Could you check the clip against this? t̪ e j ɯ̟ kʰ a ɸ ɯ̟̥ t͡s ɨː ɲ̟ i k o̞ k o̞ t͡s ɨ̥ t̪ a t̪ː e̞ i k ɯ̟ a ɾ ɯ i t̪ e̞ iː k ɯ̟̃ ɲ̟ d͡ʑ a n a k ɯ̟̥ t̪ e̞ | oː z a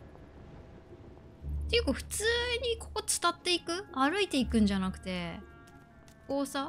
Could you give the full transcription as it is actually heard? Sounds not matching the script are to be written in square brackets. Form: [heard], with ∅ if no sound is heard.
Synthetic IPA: t̪ e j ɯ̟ [k] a ɸ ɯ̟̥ t͡s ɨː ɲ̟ i k o̞ k o̞ t͡s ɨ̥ t̪ a t̪ː e̞ i k ɯ̟ a ɾ ɯ i t̪ e̞ [i] k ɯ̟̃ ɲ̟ d͡ʑ a n a k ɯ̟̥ t̪ e̞ | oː [s] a

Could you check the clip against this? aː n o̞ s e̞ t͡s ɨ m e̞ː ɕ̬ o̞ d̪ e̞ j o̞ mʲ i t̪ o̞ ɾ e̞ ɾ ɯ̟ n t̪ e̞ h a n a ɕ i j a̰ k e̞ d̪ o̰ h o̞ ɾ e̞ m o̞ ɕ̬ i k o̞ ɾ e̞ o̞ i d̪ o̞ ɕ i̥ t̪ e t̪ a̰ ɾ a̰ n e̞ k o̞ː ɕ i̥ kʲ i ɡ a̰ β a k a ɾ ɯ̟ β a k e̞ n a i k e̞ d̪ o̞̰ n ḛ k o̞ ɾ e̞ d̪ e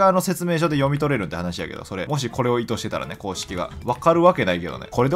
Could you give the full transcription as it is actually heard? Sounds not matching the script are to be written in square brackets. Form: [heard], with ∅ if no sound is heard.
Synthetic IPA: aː n o̞ s e̞ t͡s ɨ m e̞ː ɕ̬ o̞ d̪ e̞ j o̞ mʲ i t̪ o̞ ɾ e̞ ɾ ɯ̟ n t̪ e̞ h a n a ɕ i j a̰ k e̞ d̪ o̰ [s] o̞ ɾ e̞ m o̞ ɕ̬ i k o̞ ɾ e̞ o̞ i [t̪] o̞ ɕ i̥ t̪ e t̪ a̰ ɾ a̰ n e̞ k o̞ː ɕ i̥ kʲ i ɡ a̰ β a k a ɾ ɯ̟ β a k e̞ n a i k e̞ d̪ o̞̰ n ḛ k o̞ ɾ e̞ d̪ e

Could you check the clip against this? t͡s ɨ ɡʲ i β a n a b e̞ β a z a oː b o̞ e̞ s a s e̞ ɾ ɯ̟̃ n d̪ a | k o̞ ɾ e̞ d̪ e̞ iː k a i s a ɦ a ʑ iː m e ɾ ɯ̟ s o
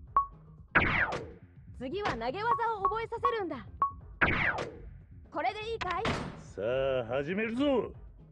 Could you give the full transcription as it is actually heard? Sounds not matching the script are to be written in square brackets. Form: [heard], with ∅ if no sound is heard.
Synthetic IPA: t͡s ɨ ɡʲ i β a n a [ɡ] e̞ β a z a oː b o̞ e̞ s a s e̞ ɾ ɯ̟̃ n d̪ a | k o̞ ɾ e̞ d̪ e̞ iː k a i s a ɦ a ʑ [i] m e ɾ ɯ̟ [z] o

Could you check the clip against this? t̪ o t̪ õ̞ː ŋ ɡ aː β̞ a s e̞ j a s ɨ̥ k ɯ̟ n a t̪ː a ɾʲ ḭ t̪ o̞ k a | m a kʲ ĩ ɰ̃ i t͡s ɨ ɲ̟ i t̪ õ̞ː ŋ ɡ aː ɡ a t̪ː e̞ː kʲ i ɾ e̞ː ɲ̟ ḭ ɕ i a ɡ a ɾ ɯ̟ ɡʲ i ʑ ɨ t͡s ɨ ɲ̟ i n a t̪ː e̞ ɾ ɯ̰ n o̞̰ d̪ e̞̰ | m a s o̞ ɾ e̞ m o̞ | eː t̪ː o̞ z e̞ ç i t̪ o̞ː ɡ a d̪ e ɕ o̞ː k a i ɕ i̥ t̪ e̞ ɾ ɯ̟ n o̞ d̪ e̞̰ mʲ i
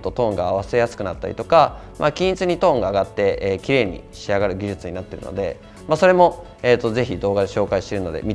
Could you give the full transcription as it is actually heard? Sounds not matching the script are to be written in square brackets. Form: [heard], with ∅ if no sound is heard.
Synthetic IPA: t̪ o t̪ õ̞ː ŋ ɡ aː β̞ a s e̞ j a s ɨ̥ k ɯ̟ n a t̪ː a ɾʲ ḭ t̪ o̞ k a | m a kʲ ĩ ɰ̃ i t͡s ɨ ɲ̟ i t̪ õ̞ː ŋ ɡ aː ɡ a t̪ː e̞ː kʲ i ɾ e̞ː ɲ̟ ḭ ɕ i a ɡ a ɾ ɯ̟ ɡʲ i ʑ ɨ t͡s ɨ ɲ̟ i n a t̪ː e̞ ɾ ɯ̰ n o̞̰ d̪ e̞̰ | m a s o̞ ɾ e̞ m o̞ | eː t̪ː o̞ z e̞ ç i [d̪] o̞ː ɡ a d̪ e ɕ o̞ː k a i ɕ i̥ t̪ e̞ ɾ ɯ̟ n o̞ d̪ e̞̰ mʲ i

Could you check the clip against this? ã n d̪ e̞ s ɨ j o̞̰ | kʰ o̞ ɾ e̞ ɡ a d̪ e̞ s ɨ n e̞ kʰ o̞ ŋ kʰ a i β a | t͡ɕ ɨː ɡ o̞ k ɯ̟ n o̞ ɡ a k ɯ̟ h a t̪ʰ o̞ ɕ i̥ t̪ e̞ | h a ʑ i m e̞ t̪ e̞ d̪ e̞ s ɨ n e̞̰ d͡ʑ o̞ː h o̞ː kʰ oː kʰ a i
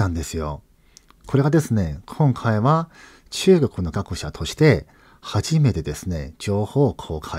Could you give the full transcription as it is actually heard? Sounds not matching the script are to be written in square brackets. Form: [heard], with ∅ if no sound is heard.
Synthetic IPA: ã n d̪ e̞ s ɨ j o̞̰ | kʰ o̞ ɾ e̞ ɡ a d̪ e̞ s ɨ n e̞ kʰ [õ̞] ŋ kʰ a i β a | t͡ɕ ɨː ɡ o̞ k ɯ̟ n o̞ ɡ a k ɯ̟ [ɕ] a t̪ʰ o̞ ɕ i̥ t̪ e̞ | h a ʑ i m e̞ t̪ e̞ d̪ e̞ s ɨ n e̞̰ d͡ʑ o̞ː h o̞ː kʰ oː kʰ a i

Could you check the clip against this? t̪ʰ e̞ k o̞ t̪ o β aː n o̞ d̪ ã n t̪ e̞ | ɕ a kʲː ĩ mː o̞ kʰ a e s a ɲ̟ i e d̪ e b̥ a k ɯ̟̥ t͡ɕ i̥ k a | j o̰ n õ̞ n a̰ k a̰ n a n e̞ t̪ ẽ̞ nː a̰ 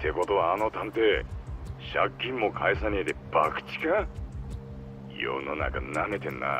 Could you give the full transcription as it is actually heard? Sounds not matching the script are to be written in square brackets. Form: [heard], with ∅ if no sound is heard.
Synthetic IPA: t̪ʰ e̞ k o̞ t̪ o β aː n o̞ [t̪] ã n t̪ e̞ | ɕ a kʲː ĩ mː o̞ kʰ a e s a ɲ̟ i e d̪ e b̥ a k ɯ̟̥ t͡ɕ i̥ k a | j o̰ n [o̞] n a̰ k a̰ n a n e̞ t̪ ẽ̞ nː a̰

